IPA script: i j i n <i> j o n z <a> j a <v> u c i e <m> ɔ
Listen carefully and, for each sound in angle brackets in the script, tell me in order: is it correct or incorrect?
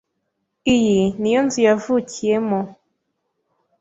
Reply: correct, incorrect: i, correct, correct

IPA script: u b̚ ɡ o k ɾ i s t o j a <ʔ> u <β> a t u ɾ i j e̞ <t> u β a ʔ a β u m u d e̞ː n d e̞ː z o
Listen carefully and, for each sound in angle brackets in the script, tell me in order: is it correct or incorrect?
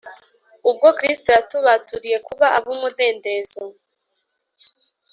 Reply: incorrect: t, correct, incorrect: k

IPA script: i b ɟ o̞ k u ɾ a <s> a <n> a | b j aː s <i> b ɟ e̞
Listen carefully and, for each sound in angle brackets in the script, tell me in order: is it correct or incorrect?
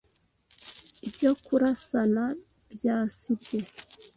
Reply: correct, correct, correct

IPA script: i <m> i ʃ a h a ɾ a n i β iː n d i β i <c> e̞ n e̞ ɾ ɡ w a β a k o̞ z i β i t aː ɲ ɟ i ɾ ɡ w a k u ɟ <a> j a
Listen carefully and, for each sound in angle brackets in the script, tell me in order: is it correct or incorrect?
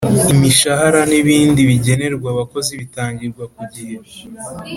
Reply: correct, incorrect: ɟ, incorrect: i

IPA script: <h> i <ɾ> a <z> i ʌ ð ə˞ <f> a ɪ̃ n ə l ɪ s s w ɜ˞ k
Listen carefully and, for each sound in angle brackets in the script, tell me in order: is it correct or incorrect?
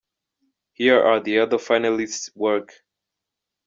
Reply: correct, incorrect: ɹ, incorrect: ð, correct

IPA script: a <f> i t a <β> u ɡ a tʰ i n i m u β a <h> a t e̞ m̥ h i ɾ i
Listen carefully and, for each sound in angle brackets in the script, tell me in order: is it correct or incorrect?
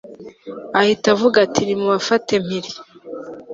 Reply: incorrect: h, incorrect: v, incorrect: f

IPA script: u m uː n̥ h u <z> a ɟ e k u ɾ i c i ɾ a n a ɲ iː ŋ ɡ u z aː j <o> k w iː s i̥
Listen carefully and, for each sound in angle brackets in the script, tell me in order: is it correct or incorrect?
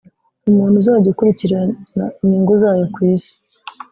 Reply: correct, correct

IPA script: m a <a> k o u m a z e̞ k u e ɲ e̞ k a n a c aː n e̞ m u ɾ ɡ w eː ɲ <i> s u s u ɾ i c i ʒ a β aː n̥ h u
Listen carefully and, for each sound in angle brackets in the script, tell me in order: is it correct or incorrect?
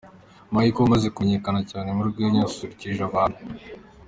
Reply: incorrect: i, incorrect: a

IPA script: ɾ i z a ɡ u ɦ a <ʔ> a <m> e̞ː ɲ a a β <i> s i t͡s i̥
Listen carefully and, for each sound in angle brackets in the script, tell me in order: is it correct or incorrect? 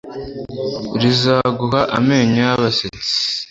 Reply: correct, correct, incorrect: a

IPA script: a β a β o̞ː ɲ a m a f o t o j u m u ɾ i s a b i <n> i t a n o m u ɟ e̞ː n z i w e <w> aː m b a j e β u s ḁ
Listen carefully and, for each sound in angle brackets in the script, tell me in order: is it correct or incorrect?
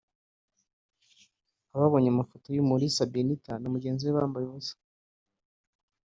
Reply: correct, incorrect: β

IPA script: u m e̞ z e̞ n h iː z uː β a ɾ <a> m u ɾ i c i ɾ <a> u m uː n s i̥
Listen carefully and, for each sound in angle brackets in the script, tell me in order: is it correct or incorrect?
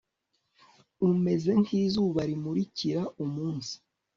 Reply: incorrect: i, correct

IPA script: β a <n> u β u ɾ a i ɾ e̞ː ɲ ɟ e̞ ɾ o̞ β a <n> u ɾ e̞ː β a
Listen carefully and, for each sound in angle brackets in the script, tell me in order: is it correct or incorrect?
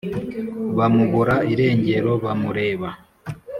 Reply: incorrect: m, incorrect: m

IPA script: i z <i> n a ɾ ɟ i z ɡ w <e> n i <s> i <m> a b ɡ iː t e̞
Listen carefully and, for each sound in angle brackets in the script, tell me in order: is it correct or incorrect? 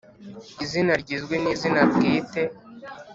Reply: correct, correct, incorrect: z, incorrect: n

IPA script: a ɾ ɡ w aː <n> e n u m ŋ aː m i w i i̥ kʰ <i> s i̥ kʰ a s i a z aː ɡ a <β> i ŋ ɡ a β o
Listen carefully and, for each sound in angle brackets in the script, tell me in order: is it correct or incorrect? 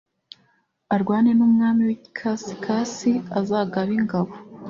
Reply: correct, incorrect: a, correct

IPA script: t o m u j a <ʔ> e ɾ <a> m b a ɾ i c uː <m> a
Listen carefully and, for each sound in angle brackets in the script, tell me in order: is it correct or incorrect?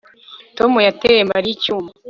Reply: incorrect: t, incorrect: e, correct

